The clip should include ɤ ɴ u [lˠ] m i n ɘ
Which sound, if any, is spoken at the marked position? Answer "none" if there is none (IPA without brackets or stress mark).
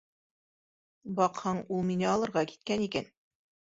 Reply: lˠ